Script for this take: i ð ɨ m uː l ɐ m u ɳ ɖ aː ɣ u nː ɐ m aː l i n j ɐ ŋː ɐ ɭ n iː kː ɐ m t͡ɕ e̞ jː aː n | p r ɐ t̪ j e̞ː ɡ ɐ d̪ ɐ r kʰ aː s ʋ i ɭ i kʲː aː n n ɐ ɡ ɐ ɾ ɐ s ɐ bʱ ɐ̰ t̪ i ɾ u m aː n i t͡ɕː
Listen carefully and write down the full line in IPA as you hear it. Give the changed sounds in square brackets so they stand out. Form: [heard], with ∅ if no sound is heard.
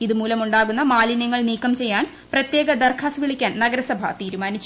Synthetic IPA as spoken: i ð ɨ m uː l ɐ m u ɳ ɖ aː ɣ u nː ɐ m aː l i n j ɐ ŋː ɐ ɭ n iː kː ɐ m t͡ɕ e̞ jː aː n | p r ɐ t̪ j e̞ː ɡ ɐ d̪ ɐ r kʰ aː s ʋ i ɭ i kʲː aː n n ɐ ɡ ɐ ɾ ɐ s ɐ bʱ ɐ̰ t̪ [iː] ɾ u m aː n i t͡ɕː